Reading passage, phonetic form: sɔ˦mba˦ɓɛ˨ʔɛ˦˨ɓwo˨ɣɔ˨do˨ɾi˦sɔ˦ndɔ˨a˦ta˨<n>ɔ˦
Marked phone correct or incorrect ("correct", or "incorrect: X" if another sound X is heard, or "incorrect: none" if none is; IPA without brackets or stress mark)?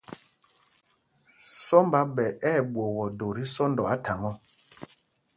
incorrect: ŋ